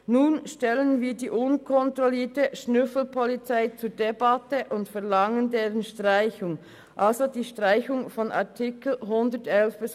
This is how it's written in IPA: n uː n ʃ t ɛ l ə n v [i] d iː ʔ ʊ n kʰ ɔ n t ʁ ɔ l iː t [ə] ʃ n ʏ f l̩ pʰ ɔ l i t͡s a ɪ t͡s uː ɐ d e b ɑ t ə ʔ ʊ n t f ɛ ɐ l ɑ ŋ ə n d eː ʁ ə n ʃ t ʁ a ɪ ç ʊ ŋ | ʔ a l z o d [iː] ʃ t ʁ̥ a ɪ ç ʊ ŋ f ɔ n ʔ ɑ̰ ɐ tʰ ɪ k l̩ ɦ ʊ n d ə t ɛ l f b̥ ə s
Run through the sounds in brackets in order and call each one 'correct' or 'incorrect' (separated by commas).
incorrect, correct, correct